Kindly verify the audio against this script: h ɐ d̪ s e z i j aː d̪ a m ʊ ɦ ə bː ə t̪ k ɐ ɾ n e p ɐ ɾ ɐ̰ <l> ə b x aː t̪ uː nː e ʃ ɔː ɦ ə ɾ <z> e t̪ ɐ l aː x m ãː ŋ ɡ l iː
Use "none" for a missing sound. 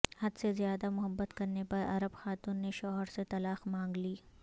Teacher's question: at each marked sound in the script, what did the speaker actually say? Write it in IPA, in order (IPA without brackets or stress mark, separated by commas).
ɾ, s